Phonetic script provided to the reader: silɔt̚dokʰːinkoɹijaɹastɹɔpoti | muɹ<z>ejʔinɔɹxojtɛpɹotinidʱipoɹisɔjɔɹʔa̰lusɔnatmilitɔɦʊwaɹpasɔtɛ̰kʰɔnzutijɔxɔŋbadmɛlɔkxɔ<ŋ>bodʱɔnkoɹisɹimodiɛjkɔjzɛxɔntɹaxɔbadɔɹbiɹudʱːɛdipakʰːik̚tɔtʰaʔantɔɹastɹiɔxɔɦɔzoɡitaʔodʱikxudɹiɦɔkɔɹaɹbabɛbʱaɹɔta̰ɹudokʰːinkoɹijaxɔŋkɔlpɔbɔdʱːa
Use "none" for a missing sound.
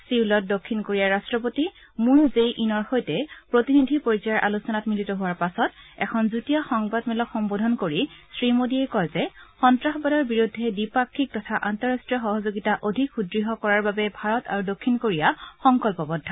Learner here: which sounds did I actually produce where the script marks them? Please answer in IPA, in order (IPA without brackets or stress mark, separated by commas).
z, m